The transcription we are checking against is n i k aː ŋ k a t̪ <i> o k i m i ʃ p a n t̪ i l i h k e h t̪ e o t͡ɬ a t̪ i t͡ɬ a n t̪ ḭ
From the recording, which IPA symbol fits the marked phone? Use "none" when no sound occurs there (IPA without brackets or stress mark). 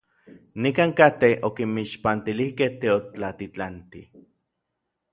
e